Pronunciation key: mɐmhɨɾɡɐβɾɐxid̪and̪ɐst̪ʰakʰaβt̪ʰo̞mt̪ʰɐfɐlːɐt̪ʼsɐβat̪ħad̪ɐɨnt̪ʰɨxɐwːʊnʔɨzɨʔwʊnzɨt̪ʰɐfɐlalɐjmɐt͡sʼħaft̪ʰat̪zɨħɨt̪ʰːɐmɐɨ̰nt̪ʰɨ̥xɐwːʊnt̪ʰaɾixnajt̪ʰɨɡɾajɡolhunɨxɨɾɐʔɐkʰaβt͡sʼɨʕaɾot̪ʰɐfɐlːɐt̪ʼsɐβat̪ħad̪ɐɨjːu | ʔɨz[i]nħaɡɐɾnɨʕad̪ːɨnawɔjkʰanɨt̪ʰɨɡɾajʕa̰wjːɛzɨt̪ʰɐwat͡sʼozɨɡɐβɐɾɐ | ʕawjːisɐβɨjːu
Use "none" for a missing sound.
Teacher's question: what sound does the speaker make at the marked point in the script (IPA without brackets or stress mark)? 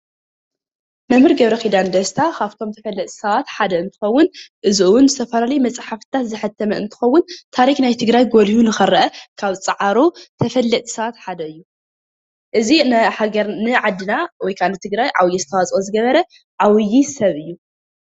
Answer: i